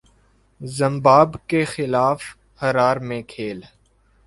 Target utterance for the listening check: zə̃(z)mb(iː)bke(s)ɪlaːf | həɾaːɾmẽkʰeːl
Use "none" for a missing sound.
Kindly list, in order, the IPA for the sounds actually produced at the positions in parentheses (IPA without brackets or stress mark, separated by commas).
none, aː, x